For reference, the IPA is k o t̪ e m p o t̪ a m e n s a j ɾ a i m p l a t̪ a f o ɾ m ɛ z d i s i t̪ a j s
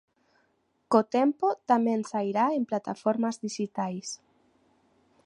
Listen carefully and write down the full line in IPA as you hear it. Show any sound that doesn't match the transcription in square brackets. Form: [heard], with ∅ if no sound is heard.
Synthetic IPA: k o t̪ e m p o t̪ a m e n s a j ɾ a [e] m p l a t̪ a f o ɾ m [a] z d i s i t̪ a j s